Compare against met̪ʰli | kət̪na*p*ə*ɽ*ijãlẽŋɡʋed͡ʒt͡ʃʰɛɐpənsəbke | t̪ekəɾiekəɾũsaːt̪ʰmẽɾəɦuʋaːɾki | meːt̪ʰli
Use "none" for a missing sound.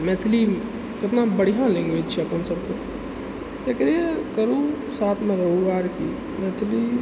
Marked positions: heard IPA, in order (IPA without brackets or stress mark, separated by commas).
b, ɽ